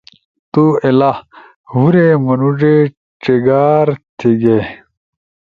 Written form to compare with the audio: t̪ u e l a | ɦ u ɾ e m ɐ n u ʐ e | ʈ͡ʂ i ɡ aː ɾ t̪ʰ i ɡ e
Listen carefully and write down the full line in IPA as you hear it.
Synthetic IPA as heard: t̪ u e l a | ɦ u ɾ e m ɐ n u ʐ e | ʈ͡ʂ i ɡ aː ɾ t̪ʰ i ɡ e